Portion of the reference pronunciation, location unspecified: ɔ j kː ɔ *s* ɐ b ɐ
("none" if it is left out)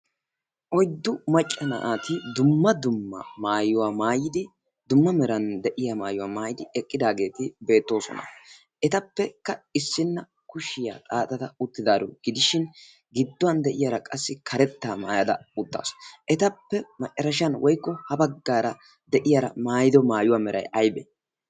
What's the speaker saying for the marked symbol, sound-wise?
h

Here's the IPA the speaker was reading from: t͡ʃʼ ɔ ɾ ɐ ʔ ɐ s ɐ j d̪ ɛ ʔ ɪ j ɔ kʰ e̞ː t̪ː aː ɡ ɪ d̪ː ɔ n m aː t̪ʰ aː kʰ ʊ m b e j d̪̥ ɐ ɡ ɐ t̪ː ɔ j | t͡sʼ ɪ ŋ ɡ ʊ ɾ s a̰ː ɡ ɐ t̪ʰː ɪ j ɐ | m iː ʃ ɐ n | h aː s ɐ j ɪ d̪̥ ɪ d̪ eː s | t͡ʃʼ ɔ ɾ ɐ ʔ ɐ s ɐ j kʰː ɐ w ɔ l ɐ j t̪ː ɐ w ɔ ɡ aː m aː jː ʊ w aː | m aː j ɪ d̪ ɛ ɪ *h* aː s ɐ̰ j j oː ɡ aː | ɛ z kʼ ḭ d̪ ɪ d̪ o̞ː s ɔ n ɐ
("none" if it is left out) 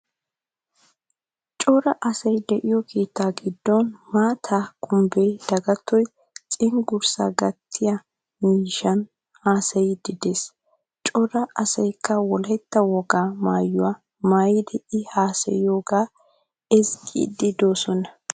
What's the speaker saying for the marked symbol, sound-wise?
h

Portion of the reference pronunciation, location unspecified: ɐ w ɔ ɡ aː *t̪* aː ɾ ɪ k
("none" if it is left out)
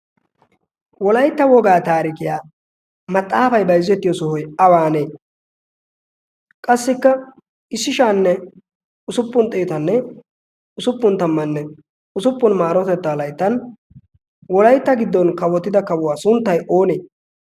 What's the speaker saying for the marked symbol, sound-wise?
t̪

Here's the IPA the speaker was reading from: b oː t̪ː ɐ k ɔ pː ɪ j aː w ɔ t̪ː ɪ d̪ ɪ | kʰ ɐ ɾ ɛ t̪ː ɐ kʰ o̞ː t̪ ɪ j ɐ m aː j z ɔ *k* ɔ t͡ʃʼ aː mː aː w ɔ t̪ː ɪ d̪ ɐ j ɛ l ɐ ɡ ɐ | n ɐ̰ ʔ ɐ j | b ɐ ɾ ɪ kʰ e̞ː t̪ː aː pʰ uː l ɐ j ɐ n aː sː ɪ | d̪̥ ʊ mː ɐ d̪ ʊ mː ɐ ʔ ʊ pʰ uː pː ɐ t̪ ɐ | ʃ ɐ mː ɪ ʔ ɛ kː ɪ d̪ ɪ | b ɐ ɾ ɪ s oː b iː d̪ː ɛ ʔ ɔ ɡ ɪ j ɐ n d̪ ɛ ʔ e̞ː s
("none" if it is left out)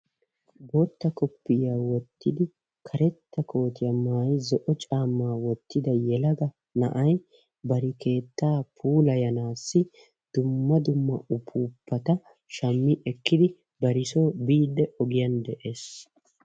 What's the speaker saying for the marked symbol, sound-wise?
ʔ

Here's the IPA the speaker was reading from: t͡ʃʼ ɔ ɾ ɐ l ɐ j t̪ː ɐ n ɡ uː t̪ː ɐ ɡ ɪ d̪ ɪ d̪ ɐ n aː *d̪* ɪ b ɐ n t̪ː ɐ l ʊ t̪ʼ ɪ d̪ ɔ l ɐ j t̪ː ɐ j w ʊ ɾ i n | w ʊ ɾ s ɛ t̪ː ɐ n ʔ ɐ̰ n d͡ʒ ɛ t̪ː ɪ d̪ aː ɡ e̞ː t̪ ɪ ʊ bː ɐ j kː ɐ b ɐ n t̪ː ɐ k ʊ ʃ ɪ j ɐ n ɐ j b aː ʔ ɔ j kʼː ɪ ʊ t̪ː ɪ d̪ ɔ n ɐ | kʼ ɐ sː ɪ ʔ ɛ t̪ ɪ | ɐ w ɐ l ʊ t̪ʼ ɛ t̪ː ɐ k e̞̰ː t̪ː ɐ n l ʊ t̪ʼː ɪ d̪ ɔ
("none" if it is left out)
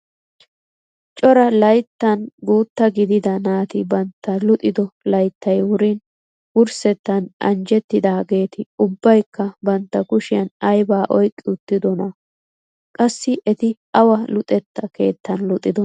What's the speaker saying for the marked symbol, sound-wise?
t̪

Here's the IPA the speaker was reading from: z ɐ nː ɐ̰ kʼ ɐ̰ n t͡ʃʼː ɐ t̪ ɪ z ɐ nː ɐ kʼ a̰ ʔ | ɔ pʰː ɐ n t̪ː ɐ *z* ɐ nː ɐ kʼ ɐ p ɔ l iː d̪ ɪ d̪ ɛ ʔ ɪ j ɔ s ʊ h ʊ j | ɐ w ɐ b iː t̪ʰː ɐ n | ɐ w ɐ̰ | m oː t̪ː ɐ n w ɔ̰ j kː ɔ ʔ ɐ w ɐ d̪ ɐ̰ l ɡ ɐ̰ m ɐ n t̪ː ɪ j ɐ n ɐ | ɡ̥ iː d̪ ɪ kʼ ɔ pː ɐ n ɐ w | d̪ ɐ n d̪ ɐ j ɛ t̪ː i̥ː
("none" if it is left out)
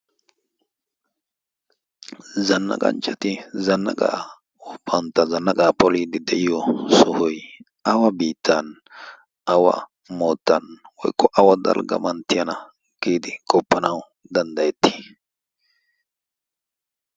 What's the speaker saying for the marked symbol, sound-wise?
z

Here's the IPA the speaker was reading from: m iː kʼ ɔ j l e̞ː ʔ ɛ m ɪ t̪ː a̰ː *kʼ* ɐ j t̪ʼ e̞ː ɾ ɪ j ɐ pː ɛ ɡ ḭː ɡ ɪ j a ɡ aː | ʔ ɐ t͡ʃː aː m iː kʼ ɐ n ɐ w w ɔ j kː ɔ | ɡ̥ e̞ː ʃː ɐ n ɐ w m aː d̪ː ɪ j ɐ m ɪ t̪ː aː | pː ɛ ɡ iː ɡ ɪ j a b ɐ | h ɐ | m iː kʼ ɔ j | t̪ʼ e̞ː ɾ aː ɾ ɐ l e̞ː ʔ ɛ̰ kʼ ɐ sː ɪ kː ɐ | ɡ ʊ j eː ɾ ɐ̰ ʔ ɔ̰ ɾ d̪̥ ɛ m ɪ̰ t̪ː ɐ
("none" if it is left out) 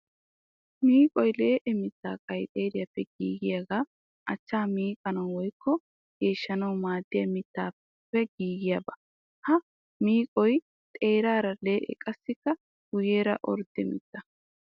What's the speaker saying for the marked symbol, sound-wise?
kʼ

